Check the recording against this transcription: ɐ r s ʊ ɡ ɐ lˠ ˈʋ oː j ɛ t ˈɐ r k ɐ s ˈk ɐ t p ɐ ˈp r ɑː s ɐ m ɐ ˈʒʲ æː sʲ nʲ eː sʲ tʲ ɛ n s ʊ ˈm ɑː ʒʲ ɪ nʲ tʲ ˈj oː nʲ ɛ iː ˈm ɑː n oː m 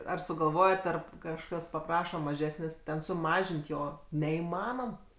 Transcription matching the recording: ɐ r s ʊ ɡ ɐ lˠ ˈʋ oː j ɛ t ˈɐ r k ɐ ʃ ˈk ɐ s p ɐ ˈp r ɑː ʃ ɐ m ɐ ˈʒʲ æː sʲ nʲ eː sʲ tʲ ɛ n s ʊ ˈm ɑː ʒʲ ɪ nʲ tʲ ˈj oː nʲ ɛ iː ˈm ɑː n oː m